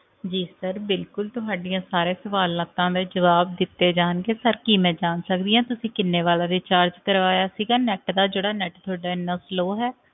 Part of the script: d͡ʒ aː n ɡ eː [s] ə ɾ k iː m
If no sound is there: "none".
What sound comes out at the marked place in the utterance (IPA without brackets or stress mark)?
s